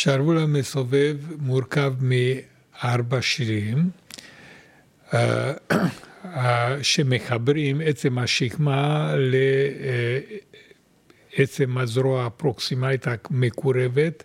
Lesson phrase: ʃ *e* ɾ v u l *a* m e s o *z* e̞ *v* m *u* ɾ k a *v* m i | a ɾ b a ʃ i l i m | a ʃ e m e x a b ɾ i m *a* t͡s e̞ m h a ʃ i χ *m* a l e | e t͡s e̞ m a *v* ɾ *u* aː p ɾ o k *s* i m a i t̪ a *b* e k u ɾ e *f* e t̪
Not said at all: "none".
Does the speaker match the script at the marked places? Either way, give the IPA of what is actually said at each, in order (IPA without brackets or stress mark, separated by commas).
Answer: a, a, v, v, u, v, e, m, z, o, s, m, v